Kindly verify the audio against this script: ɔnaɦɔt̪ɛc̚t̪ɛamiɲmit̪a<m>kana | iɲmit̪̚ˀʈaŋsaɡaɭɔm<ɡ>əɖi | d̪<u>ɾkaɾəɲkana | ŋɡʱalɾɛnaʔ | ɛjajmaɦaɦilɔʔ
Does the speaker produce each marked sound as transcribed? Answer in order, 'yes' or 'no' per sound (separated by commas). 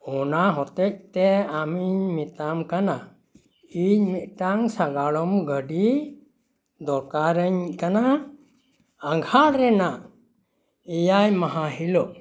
yes, yes, no